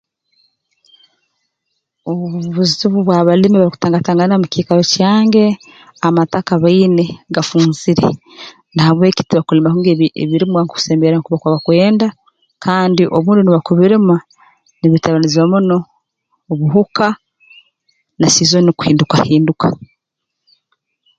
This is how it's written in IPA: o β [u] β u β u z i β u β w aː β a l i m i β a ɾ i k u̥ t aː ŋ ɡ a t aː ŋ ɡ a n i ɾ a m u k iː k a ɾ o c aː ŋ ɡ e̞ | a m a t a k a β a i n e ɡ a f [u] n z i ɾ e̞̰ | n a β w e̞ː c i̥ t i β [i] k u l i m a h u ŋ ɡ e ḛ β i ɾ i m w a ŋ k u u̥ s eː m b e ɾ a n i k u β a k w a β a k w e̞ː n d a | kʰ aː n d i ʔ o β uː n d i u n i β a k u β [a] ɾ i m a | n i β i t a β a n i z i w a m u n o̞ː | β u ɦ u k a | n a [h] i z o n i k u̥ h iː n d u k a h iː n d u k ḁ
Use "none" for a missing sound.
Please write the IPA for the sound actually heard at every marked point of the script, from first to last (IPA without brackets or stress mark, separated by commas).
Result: u, uː, a, i, s